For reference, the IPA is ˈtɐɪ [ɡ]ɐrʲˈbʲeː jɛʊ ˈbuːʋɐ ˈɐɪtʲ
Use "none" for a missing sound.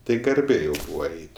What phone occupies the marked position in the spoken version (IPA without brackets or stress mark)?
ɡ